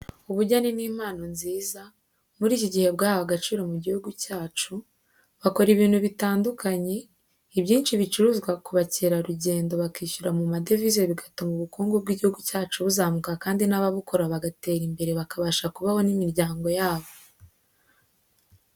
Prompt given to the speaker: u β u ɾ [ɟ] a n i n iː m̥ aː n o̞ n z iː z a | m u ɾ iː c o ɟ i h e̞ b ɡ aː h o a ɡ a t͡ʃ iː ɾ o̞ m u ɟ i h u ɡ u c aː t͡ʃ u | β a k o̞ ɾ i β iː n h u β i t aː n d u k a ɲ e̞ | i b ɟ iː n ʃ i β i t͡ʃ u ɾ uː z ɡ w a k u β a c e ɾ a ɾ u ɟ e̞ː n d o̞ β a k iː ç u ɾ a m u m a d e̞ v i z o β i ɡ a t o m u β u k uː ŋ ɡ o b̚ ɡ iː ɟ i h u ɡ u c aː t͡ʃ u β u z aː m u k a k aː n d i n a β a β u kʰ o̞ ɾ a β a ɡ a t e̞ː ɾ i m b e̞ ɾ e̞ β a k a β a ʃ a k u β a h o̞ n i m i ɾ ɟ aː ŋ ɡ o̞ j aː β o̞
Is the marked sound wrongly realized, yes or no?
no